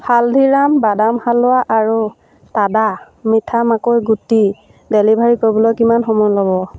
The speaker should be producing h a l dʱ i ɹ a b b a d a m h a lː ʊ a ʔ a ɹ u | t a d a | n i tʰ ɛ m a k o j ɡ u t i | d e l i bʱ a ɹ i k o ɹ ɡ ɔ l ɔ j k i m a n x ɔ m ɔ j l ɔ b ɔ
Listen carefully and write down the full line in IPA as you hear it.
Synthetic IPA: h a l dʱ i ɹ a m b a d a m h a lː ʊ a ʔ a ɹ u | t a d a | m i tʰ a m a k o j ɡ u t i | d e l i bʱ a ɹ i k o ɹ b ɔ l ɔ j k i m a n x ɔ m ɔ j l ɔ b ɔ